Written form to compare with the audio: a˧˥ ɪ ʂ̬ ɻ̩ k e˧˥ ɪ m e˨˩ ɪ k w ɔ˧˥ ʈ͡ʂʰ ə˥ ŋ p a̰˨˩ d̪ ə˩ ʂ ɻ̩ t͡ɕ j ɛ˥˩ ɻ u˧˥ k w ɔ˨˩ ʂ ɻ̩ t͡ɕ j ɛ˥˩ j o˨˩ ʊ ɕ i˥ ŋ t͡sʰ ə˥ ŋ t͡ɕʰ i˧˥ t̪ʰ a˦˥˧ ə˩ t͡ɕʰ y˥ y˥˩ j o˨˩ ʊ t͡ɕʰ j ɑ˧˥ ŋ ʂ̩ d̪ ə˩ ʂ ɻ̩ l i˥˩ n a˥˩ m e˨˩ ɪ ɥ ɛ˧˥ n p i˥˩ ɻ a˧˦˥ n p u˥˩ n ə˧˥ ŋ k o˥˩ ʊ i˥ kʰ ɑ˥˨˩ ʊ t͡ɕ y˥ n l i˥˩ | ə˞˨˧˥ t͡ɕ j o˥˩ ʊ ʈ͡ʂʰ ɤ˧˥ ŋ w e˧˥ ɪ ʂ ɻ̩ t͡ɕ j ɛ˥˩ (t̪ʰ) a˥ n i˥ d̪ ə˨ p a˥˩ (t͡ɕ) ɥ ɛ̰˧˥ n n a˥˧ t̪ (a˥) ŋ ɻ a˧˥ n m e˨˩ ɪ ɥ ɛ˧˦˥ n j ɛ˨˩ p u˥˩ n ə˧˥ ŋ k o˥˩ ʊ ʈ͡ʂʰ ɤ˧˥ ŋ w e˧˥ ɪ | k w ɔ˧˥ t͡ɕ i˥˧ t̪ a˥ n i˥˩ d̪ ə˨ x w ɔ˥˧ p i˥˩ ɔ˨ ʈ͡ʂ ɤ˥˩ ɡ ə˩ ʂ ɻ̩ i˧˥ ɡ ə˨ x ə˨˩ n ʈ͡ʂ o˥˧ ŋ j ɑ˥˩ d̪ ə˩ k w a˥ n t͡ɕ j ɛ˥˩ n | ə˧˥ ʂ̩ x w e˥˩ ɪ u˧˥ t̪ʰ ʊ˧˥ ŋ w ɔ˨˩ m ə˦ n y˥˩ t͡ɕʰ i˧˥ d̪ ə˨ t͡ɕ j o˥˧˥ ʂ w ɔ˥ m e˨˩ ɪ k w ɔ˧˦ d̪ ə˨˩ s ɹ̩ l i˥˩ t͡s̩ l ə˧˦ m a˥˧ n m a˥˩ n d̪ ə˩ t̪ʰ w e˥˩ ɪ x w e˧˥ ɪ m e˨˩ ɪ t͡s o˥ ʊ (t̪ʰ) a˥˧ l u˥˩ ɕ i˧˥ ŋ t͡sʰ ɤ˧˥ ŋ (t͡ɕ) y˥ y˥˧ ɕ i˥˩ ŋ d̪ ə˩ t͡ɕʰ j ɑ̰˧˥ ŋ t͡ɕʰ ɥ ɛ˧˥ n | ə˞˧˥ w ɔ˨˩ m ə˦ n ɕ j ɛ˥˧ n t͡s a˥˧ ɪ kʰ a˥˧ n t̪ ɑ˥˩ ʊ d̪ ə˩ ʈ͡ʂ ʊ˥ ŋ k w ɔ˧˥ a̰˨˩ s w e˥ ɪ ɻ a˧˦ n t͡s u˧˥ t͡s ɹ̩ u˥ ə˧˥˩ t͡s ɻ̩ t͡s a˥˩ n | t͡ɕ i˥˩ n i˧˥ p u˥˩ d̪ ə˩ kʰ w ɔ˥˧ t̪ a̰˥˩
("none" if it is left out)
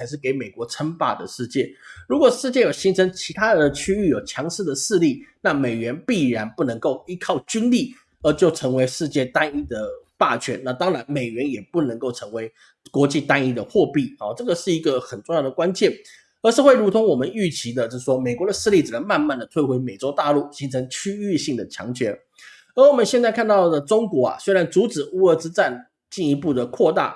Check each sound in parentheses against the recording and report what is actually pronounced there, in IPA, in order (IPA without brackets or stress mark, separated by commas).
t̪, t͡ɕʰ, ɑ˥, t̪, t͡ɕʰ